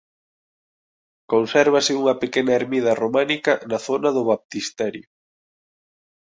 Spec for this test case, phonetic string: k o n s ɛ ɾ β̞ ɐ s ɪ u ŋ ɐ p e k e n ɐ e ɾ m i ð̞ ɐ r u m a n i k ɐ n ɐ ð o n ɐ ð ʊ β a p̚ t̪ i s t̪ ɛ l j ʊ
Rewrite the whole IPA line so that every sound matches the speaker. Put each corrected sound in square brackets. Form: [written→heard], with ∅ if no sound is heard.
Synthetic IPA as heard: k o n s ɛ ɾ β̞ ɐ s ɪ u ŋ ɐ p e k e n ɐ e ɾ m i ð̞ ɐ r [u→o] m a n i k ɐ n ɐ [ð→θ] o n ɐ ð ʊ β a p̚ t̪ i s t̪ ɛ [l→ɾ] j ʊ